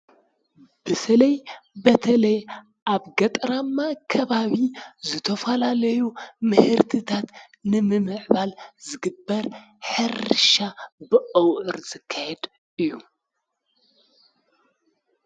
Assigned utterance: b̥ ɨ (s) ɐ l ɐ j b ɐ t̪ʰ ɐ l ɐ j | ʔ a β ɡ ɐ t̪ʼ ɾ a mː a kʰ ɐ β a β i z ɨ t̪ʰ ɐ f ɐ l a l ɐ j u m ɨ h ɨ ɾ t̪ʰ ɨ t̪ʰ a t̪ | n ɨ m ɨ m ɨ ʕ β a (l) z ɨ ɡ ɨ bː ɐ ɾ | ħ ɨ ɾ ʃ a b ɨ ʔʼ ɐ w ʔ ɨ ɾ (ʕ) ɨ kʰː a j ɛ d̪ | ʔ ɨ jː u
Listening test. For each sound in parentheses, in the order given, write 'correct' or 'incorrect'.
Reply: correct, correct, incorrect: z

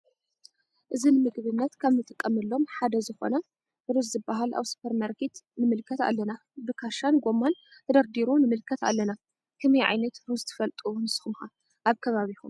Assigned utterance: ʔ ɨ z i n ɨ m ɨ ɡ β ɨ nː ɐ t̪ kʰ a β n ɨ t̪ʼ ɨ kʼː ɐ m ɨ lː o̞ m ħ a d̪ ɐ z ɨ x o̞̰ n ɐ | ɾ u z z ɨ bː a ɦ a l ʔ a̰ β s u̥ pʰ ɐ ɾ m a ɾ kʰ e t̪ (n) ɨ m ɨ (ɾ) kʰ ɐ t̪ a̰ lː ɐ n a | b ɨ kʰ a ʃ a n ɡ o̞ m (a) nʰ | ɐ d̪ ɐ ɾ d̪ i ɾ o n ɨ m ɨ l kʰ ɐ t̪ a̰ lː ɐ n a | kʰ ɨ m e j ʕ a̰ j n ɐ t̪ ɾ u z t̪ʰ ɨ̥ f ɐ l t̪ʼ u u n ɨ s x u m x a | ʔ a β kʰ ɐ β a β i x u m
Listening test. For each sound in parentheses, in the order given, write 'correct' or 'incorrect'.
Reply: correct, incorrect: l, correct

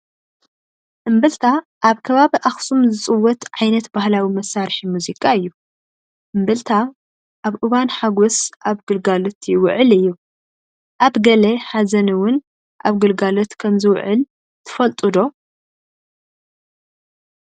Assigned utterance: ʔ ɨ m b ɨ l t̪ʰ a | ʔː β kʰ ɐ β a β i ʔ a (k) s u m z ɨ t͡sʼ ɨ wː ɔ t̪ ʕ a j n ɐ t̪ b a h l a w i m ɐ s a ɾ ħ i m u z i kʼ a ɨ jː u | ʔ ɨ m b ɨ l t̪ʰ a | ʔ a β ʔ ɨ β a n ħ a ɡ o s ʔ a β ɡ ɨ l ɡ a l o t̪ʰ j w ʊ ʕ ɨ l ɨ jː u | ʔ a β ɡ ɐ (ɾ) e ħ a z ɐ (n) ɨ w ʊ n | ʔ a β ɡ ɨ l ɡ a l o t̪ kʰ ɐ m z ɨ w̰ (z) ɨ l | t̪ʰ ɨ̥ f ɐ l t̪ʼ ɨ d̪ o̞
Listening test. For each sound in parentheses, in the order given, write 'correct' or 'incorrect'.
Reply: incorrect: x, incorrect: l, correct, incorrect: ʕ

